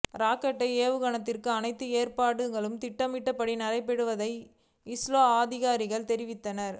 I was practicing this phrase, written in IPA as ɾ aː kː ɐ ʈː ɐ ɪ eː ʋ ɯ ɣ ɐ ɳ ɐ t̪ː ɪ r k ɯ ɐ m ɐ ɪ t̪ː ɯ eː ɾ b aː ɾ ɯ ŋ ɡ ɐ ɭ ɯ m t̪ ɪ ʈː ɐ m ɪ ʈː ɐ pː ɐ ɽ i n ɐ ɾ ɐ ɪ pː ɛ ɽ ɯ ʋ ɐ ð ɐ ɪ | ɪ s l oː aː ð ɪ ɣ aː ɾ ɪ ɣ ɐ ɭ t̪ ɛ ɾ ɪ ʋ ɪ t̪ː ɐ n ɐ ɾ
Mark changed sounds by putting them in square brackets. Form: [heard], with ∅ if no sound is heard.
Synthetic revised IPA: ɾ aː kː ɐ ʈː ɐ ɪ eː ʋ ɯ ɣ ɐ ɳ ɐ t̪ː ɪ r k ɯ ɐ [n] ɐ ɪ t̪ː ɯ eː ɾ [p] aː [ɽ] ɯ ŋ ɡ ɐ ɭ ɯ m t̪ ɪ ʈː ɐ m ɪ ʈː ɐ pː ɐ ɽ i n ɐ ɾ ɐ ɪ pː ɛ ɽ ɯ ʋ ɐ ð ɐ ɪ | ɪ s l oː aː ð ɪ ɣ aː ɾ ɪ ɣ ɐ ɭ t̪ ɛ ɾ ɪ ʋ ɪ t̪ː ɐ n ɐ ɾ